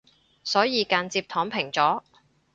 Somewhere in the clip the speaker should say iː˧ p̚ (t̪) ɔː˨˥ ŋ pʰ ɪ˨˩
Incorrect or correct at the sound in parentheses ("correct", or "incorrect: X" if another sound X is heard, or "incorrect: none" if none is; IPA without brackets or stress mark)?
incorrect: t̪ʰ